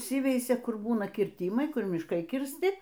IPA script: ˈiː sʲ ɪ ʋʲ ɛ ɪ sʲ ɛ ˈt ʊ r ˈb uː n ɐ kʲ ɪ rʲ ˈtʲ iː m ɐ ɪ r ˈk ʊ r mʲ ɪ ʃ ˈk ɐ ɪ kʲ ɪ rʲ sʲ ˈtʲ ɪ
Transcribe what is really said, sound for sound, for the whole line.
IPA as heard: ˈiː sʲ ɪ ʋʲ ɛ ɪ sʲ ɛ ˈk ʊ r ˈb uː n ɐ kʲ ɪ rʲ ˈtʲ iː m ɐ ɪ ˈk ʊ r mʲ ɪ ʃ ˈk ɐ ɪ kʲ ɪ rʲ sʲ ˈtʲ ɪ